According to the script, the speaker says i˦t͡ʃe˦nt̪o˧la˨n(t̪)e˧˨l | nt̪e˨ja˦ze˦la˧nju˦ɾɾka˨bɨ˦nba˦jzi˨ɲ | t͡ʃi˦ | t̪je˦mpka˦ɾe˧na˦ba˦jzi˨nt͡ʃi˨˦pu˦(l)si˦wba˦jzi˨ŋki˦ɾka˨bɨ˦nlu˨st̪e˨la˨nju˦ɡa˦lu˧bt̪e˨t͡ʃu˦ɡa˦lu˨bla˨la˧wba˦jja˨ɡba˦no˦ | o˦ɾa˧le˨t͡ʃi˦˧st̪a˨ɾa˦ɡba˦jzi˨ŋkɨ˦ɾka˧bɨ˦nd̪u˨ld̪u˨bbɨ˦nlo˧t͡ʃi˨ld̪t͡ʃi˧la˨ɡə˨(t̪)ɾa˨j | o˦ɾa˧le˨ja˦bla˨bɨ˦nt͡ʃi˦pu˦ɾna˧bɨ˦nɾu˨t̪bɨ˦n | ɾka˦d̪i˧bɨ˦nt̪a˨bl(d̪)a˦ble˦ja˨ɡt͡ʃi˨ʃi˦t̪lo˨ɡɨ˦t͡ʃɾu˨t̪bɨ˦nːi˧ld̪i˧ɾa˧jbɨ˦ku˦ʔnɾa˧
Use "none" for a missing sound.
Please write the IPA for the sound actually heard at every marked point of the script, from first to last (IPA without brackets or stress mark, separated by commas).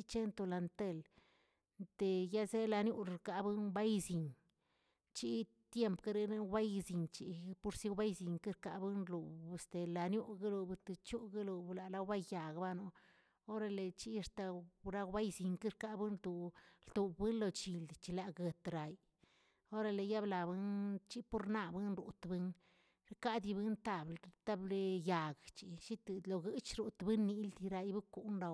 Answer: t̪, ɾ, t̪, t̪